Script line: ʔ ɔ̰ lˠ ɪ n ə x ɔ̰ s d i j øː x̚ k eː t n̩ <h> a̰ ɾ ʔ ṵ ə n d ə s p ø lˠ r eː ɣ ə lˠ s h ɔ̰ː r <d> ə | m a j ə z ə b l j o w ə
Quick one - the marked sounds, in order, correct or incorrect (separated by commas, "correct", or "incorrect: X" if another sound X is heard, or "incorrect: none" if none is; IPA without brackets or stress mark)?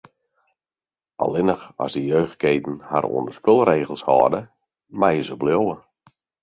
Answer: correct, correct